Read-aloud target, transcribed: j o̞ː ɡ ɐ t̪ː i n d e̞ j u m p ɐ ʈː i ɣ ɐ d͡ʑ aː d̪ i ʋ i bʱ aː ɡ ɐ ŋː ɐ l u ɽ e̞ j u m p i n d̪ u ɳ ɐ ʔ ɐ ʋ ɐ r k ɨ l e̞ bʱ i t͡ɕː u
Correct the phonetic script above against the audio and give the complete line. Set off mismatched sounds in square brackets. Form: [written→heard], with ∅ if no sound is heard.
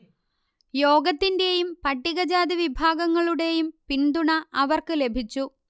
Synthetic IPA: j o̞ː ɡ ɐ t̪ː i n d e̞ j u m p ɐ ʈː i ɣ ɐ d͡ʑ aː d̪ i ʋ i bʱ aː ɡ ɐ ŋː ɐ [l→ɭ] u ɽ e̞ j u m p i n d̪ u ɳ ɐ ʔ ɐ ʋ ɐ r k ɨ l e̞ bʱ i t͡ɕː u